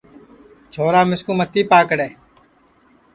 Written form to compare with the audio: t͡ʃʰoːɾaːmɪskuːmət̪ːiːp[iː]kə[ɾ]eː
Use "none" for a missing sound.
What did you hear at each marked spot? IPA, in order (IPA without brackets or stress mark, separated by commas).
aː, ɽ